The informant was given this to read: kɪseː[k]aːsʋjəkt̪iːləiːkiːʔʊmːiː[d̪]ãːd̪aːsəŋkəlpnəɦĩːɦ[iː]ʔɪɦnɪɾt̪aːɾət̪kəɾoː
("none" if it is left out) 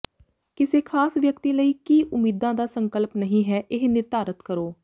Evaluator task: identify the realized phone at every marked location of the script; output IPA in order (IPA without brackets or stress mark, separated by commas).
kʰ, d̪, ɛː